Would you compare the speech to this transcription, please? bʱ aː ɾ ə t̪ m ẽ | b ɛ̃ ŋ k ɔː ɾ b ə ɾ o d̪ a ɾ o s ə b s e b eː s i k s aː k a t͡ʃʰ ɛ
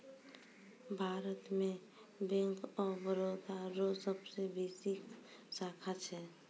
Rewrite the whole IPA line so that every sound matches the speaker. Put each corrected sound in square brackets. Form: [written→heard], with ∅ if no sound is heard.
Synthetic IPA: bʱ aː ɾ ə t̪ m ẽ | b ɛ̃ ŋ k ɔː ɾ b ə ɾ o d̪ a ɾ o s ə b s e b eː s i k s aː [k→kʰ] a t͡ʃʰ ɛ